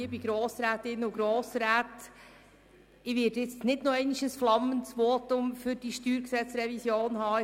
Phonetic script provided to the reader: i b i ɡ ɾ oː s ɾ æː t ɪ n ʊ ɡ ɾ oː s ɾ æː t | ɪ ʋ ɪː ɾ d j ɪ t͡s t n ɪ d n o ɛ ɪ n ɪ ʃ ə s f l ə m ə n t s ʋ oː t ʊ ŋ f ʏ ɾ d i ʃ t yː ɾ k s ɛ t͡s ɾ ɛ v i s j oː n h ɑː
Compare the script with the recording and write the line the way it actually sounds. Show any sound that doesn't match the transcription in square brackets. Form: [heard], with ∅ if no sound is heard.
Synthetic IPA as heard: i b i ɡ ɾ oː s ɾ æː t ɪ n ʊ ɡ ɾ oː s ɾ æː t | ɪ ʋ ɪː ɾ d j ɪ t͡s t n ɪ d n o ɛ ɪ n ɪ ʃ ə s f l [ɑ] m ə n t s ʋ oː t ʊ [m] f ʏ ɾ d i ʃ t yː ɾ k s ɛ t͡s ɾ ɛ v i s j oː n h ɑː

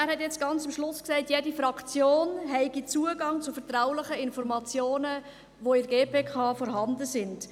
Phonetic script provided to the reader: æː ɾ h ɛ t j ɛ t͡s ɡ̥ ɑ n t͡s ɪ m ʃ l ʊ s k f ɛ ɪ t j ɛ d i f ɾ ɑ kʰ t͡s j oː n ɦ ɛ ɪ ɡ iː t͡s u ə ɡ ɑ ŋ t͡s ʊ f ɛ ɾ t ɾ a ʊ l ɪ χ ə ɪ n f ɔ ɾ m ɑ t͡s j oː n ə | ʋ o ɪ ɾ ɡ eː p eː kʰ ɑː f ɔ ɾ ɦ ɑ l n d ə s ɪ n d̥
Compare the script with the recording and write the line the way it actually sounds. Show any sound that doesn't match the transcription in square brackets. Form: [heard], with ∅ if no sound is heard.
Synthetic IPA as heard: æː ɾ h ɛ t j ɛ t͡s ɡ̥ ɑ n t͡s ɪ m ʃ l ʊ s k [s] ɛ ɪ t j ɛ d i f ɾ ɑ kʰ t͡s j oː n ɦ ɛ ɪ ɡ [i] t͡s u ə ɡ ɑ ŋ t͡s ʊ f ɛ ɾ t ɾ a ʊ l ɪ χ ə ɪ n f ɔ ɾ m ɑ t͡s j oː n ə | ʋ o ɪ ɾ ɡ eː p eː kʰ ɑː f ɔ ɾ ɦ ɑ [∅] n d ə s ɪ n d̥

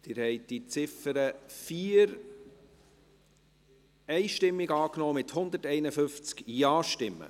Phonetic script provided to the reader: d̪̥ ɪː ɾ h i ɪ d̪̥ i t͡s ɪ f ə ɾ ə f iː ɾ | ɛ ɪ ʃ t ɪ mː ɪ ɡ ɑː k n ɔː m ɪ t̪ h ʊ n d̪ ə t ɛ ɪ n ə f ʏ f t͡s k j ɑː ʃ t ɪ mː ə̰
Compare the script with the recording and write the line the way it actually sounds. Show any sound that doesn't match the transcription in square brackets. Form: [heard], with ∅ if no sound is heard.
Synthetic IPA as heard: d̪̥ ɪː ɾ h [ɛ] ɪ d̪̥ i t͡s ɪ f ə ɾ ə f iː ɾ | ɛ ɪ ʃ t ɪ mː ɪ ɡ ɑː k n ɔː m ɪ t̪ h ʊ n d̪ ə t ɛ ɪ n ə f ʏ f t͡s k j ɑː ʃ t ɪ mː ə̰

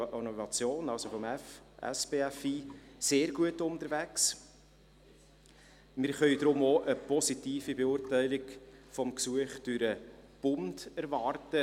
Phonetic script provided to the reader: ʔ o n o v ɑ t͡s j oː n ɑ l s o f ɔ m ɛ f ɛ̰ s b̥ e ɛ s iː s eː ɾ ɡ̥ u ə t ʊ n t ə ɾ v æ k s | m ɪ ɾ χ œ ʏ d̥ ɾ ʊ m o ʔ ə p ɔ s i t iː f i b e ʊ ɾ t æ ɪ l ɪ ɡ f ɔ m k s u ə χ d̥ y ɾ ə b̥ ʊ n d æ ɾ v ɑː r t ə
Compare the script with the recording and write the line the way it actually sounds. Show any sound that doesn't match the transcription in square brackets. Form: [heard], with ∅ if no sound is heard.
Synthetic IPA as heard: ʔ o n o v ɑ t͡s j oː n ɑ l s o f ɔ m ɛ f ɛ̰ s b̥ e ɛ [f] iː s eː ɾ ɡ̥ u ə t ʊ n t ə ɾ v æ k s | m ɪ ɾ χ œ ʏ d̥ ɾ ʊ m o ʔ ə p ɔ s i t iː f i b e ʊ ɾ t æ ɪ l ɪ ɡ f ɔ m k s u ə χ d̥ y ɾ ə b̥ ʊ n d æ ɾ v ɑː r t ə

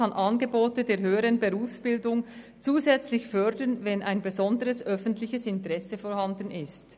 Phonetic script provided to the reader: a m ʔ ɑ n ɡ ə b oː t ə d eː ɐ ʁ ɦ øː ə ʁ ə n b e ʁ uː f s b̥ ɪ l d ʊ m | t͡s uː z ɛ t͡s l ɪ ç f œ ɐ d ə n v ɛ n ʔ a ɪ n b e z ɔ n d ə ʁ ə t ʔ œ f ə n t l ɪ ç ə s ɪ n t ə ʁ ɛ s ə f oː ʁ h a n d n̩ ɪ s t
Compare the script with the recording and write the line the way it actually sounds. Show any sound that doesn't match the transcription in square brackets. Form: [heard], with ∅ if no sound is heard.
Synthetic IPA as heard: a [n] ʔ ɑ n ɡ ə b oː t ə d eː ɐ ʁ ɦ øː ə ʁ ə n b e ʁ uː f s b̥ ɪ l d ʊ [ŋ] | t͡s uː z ɛ t͡s l ɪ ç f œ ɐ d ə n v ɛ n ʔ a ɪ n b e z ɔ n d ə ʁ ə [s] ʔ œ f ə n t l ɪ ç ə s ɪ n t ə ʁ ɛ s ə f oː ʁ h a n d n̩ ɪ s t

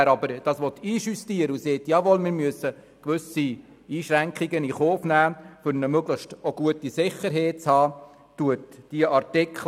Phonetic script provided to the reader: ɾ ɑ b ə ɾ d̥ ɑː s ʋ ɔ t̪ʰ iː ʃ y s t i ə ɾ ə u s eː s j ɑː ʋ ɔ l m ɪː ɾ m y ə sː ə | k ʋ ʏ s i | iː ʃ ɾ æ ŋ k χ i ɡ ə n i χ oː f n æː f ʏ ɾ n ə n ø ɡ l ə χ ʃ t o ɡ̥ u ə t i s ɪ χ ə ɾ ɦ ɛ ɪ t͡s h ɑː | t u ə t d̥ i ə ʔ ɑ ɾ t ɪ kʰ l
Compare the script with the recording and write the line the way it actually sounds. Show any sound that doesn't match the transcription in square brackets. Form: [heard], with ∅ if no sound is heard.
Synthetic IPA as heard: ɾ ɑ b ə ɾ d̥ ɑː s ʋ ɔ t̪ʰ iː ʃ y s t i ə ɾ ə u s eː [t] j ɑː ʋ ɔ l m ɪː ɾ m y ə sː ə | k ʋ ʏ s i | iː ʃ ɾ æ ŋ k χ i ɡ ə n i χ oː f n æː f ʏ ɾ n ə [m] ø ɡ l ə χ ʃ t o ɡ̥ u ə t i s ɪ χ ə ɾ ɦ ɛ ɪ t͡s h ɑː | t u ə t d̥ i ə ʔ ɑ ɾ t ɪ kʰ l

